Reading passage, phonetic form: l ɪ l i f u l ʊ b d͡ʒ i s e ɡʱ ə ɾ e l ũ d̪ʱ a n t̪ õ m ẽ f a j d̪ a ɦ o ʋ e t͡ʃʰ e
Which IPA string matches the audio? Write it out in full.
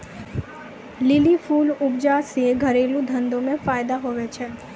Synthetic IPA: l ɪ l i f u l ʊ b d͡ʒ a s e ɡʱ ə ɾ e l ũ d̪ʱ ə n d̪ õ m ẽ f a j d̪ a ɦ o ʋ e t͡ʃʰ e